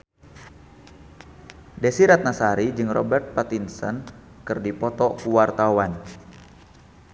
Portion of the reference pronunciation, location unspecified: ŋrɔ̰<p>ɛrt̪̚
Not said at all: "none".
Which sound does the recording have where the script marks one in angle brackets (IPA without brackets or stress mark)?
b